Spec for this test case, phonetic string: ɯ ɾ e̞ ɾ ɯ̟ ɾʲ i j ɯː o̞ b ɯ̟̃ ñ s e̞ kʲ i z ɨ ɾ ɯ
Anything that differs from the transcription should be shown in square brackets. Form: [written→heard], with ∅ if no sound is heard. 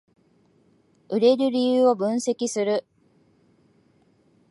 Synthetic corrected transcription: ɯ ɾ e̞ ɾ ɯ̟ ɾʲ i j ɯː o̞ b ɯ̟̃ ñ s e̞ kʲ i [z→s] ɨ ɾ ɯ